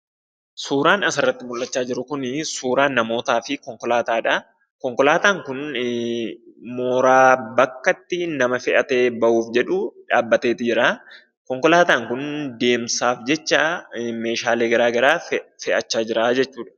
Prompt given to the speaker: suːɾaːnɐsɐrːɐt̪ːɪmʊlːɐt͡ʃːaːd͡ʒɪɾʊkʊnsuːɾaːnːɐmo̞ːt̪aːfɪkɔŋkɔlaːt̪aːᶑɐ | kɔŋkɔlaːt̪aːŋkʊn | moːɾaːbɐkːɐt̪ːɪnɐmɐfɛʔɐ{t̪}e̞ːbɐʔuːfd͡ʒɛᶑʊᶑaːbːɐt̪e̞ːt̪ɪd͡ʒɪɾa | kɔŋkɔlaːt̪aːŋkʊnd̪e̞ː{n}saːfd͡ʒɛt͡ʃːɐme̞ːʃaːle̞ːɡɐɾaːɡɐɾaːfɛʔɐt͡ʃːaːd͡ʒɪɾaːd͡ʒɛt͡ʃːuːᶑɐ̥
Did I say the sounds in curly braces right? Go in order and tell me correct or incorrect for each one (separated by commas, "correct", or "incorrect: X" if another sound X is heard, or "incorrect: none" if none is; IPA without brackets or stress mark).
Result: correct, incorrect: m